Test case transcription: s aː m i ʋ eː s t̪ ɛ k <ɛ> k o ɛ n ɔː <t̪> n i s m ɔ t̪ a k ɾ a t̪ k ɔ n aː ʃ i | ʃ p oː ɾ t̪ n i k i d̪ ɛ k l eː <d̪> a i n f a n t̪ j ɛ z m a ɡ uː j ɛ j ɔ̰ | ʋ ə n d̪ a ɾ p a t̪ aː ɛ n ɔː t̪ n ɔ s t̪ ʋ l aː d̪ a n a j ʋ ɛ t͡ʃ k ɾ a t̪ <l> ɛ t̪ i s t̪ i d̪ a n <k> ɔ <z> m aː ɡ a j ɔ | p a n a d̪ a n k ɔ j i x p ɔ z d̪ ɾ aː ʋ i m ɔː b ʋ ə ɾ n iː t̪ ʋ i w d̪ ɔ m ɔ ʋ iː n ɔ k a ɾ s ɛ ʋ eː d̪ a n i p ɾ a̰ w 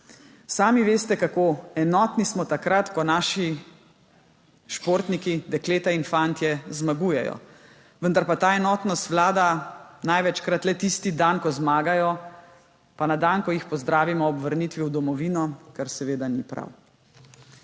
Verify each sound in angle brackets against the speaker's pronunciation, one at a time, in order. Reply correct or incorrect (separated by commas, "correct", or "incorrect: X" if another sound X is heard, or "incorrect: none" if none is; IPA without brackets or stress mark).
incorrect: a, correct, incorrect: t̪, correct, correct, correct